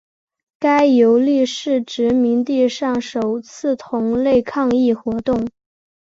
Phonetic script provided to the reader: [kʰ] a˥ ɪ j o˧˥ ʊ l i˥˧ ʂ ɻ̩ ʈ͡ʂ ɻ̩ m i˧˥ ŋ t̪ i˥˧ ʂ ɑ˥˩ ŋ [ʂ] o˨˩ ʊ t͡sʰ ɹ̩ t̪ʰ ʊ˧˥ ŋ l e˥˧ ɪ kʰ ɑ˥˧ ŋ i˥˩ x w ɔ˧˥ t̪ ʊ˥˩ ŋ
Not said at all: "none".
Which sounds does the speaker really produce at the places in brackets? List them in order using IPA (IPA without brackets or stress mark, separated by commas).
k, ʂ